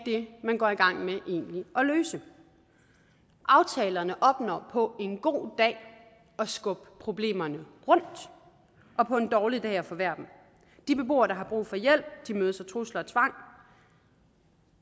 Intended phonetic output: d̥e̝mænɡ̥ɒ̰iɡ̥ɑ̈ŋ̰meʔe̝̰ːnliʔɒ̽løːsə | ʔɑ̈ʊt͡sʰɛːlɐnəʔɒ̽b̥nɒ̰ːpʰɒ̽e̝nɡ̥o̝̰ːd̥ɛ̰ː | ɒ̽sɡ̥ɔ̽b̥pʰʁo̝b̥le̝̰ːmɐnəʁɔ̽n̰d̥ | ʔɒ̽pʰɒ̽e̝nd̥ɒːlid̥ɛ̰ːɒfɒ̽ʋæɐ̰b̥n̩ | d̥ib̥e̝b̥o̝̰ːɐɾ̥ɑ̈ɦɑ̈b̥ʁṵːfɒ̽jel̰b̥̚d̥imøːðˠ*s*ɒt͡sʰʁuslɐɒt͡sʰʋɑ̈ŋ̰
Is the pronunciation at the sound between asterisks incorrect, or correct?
correct